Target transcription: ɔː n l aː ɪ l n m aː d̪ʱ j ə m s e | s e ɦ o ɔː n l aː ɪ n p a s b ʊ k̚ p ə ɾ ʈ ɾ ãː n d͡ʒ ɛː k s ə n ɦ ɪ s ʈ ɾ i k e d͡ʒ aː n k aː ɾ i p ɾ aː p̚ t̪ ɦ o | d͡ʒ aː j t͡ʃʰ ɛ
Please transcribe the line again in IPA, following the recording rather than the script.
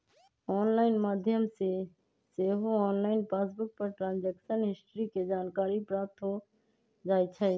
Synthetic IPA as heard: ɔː n l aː ɪ n m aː d̪ʱ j ə m s e | s e ɦ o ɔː n l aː ɪ n p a s b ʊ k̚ p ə ɾ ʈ ɾ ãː n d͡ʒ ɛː k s ə n ɦ ɪ s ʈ ɾ i k e d͡ʒ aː n k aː ɾ i p ɾ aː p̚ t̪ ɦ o | d͡ʒ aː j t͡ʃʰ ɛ